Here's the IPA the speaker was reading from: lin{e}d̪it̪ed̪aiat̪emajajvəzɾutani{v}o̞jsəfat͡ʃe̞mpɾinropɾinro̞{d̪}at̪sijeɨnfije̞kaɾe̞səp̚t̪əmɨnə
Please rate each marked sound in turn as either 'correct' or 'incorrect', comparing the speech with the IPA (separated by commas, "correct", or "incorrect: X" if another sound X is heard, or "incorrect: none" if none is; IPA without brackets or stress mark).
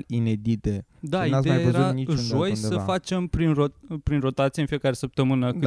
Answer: correct, incorrect: ʒ, incorrect: t̪